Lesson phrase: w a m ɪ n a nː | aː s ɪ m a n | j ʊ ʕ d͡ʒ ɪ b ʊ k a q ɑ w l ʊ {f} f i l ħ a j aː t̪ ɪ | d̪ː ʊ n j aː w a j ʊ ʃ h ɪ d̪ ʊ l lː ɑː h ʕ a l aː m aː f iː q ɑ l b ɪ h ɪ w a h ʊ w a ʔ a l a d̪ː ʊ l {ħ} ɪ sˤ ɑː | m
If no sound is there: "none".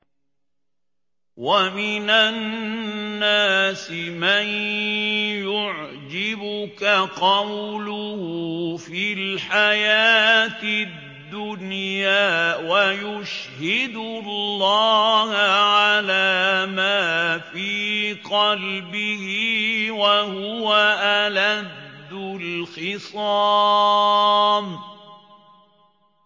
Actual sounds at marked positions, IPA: h, x

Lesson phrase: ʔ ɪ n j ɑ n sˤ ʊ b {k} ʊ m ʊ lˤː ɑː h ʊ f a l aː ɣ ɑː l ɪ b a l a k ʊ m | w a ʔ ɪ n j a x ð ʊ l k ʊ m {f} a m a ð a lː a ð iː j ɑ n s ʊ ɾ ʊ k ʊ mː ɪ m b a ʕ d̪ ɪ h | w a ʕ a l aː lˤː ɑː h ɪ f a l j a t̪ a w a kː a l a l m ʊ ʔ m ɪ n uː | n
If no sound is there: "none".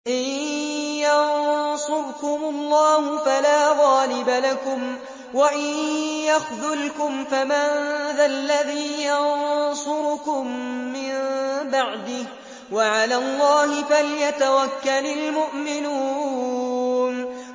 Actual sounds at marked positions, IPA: k, f

